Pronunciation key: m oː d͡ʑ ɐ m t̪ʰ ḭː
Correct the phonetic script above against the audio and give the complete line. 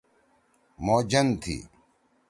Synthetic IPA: m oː d͡ʑ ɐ n t̪ʰ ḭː